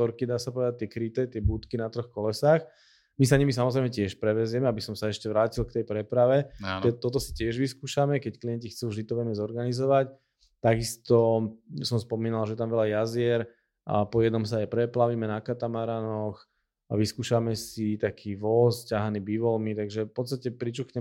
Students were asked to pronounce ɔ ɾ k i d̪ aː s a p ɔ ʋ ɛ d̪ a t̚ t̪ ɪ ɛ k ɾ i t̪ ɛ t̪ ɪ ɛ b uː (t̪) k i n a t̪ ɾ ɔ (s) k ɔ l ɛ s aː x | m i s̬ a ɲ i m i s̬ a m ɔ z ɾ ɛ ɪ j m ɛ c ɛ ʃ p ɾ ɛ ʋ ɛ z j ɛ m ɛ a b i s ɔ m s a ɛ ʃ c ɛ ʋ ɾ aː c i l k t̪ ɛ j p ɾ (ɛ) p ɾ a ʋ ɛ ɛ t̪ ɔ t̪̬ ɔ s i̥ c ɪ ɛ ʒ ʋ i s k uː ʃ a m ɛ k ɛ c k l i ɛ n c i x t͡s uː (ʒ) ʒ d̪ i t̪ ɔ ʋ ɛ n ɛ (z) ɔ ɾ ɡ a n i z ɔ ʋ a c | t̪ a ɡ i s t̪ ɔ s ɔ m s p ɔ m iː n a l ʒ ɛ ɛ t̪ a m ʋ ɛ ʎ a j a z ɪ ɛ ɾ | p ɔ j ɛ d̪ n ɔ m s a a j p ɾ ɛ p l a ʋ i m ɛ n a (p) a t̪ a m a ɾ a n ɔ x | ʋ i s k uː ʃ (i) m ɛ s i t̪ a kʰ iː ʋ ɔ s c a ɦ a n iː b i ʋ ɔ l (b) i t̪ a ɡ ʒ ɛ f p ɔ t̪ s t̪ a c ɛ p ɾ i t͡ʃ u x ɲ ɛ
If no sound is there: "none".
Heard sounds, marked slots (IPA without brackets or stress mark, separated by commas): t̪, x, ɛ, v, z, k, a, m